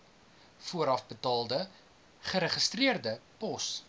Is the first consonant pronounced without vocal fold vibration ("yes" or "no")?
yes